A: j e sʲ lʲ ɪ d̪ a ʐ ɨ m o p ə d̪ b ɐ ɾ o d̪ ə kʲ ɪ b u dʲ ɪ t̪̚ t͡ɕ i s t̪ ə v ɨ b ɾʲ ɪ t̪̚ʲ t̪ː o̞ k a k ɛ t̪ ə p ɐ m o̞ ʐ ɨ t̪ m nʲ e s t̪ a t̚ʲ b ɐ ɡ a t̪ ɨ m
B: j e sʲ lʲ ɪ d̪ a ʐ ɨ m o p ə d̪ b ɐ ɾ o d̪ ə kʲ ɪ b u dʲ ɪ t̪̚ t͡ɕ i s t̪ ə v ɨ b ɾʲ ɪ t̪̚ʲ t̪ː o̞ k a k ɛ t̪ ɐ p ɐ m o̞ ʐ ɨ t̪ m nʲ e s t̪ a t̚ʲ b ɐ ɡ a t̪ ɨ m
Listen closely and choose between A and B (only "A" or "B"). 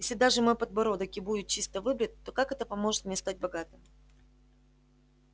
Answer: A